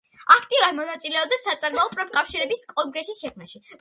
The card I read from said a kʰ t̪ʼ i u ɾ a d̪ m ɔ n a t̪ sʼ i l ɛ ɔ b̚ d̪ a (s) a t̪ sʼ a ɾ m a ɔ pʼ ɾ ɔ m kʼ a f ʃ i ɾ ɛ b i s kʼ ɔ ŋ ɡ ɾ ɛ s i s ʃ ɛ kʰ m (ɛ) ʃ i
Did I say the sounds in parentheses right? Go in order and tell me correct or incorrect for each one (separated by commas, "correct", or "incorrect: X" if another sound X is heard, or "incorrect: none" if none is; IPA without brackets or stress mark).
correct, incorrect: a